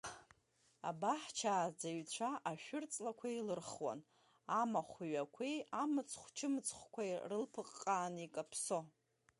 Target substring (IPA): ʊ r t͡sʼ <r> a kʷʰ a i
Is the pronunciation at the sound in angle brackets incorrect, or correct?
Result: incorrect: l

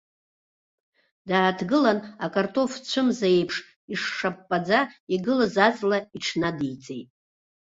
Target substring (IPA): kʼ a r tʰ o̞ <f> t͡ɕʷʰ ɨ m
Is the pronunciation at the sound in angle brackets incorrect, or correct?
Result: correct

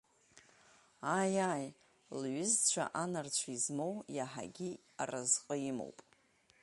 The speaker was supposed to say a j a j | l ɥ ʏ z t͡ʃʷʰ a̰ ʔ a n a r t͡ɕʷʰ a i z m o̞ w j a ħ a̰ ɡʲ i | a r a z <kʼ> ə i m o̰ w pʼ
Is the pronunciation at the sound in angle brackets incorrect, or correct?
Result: incorrect: qʼ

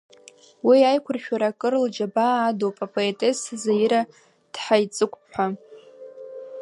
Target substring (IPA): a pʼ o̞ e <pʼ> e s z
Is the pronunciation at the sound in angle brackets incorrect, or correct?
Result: incorrect: tʼ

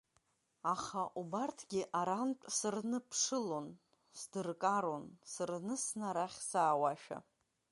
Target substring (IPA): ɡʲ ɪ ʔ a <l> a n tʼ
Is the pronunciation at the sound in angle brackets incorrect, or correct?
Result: incorrect: ɾ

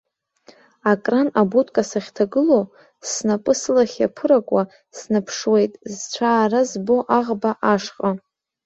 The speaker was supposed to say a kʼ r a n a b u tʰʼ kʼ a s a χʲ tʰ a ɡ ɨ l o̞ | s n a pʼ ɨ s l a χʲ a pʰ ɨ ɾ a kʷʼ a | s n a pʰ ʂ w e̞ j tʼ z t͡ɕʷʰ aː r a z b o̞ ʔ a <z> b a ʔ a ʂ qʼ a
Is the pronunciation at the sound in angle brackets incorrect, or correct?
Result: incorrect: ʁ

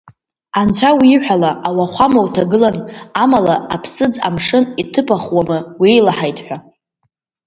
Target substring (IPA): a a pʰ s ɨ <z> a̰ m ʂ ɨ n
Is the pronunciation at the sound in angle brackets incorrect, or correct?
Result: incorrect: d͡z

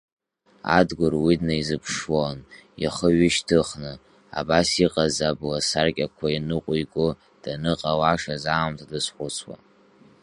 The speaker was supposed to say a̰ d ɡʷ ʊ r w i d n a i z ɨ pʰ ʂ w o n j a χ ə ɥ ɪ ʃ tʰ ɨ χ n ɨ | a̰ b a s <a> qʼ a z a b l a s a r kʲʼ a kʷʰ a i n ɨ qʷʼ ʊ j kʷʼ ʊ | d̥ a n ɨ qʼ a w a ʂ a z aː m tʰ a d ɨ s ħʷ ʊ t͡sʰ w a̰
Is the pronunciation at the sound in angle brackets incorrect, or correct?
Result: incorrect: i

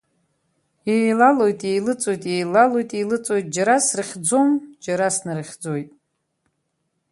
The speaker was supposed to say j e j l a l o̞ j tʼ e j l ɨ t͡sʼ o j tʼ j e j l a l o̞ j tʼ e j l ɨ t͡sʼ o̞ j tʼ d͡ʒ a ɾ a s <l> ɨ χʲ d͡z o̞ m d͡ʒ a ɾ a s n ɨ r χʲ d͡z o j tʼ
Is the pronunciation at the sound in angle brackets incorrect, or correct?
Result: incorrect: r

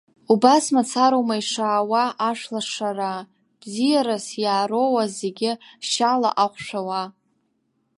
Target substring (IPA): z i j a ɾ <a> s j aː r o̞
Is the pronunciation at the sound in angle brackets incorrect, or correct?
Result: correct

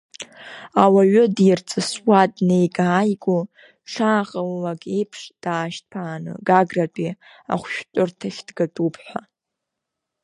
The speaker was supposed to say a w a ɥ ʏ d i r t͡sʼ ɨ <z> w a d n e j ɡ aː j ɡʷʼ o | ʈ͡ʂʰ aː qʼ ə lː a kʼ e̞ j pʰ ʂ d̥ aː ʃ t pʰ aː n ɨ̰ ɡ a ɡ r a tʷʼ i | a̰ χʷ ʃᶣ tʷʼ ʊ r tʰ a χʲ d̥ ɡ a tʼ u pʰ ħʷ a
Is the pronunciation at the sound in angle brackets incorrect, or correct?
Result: incorrect: s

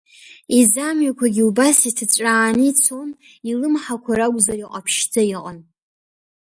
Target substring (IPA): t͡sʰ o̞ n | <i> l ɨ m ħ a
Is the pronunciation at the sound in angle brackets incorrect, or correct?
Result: correct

